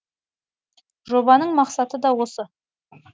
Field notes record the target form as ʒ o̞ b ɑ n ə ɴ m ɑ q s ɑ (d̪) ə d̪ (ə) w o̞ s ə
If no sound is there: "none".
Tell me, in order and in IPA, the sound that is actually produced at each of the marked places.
t̪, ɑ

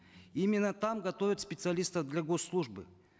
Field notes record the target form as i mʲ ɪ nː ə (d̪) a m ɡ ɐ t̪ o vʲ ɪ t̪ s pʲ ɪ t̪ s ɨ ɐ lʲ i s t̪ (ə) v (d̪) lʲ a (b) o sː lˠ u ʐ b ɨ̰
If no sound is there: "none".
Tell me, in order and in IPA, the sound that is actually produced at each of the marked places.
t̪, ə, d̪, ɡ

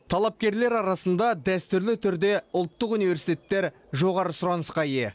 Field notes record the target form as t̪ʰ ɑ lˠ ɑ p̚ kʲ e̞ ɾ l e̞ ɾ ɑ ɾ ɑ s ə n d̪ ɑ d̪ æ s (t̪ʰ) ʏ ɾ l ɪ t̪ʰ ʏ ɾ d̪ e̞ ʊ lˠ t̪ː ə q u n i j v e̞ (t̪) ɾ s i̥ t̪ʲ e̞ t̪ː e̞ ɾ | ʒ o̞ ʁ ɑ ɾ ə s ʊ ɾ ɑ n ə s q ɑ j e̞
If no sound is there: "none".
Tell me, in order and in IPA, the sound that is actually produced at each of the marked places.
t̪, none

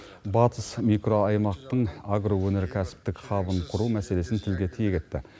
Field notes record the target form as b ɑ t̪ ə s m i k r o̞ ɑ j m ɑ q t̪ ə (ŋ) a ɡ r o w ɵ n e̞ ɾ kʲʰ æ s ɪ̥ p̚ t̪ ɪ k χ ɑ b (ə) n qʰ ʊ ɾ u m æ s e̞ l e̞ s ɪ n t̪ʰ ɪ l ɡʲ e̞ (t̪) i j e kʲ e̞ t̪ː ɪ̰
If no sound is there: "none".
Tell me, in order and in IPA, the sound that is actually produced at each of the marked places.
ɴ, ə, t̪ʰ

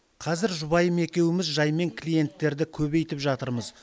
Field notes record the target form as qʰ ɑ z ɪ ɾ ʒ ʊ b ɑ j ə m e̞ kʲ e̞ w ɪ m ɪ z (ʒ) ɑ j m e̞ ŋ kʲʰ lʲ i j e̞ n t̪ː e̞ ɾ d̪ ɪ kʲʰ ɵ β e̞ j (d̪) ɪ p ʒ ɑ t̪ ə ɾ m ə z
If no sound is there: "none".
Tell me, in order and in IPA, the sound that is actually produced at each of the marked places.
ʒ, t̪

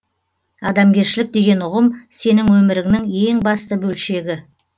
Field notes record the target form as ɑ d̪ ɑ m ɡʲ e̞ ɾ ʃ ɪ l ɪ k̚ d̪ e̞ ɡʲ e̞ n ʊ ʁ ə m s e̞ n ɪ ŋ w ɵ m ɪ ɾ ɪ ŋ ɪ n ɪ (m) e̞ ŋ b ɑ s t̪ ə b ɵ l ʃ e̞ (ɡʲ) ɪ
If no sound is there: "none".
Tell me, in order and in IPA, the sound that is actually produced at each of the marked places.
ŋ, ɡʲ

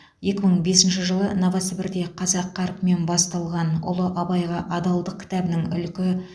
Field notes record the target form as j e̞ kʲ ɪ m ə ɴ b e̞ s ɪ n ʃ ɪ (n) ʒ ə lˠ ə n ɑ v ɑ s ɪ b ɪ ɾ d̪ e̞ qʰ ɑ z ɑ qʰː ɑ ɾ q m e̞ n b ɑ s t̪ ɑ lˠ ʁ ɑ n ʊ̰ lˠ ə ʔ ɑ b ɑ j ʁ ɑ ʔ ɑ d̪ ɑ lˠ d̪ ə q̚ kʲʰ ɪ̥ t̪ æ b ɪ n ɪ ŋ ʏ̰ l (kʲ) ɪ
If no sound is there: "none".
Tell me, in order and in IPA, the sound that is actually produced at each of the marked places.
none, kʲ

